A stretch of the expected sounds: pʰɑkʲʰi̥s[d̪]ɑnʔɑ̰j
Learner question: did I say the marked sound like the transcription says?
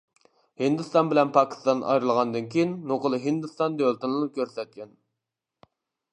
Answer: no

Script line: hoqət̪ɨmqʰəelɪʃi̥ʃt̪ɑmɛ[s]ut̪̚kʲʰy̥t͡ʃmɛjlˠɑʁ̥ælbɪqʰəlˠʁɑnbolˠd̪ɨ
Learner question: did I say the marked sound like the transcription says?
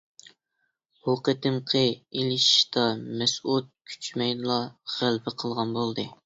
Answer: yes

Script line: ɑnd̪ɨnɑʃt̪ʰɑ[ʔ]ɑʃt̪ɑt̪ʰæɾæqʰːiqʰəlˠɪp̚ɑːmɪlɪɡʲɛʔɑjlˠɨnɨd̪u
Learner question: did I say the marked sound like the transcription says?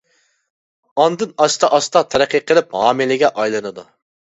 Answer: yes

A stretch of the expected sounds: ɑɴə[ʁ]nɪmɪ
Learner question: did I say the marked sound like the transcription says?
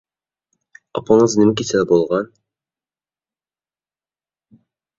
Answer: no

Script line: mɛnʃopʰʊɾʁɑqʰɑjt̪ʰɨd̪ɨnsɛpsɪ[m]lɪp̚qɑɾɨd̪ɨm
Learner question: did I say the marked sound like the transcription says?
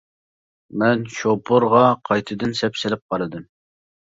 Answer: no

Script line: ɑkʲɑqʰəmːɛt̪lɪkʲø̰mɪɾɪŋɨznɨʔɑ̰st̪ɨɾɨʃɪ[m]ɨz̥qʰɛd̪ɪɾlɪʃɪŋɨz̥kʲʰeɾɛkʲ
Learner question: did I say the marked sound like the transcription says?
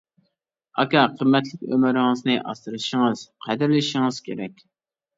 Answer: no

